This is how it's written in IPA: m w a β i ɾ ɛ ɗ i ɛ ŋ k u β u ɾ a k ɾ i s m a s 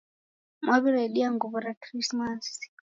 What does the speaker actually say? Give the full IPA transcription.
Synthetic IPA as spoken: m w a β i ɾ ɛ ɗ i a ŋ ɡ u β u ɾ a k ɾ i s m a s